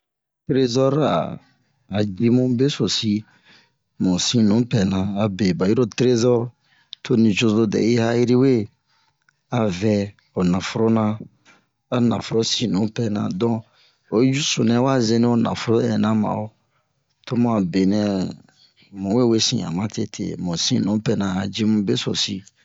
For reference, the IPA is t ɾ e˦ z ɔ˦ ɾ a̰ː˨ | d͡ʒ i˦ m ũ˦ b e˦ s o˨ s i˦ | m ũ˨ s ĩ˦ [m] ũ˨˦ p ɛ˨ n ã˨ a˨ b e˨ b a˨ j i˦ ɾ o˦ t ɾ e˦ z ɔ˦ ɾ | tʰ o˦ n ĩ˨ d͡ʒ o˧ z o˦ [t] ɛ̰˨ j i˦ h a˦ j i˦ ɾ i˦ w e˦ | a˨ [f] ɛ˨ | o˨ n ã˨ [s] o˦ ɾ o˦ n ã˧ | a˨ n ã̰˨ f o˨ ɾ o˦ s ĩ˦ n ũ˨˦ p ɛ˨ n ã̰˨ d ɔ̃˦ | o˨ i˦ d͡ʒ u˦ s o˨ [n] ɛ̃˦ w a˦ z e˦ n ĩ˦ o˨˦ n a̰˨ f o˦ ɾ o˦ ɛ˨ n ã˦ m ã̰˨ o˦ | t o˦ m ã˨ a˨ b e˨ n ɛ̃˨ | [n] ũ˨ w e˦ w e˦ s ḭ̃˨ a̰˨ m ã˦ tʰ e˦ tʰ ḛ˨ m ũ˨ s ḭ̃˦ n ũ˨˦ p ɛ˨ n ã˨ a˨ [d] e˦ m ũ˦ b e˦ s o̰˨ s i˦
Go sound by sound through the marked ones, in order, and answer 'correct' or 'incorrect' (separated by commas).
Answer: incorrect, incorrect, incorrect, incorrect, correct, incorrect, incorrect